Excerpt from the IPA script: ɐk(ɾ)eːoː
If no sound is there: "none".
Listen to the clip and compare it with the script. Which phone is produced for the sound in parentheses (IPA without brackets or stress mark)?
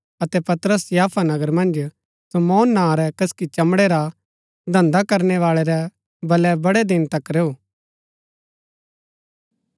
ɾ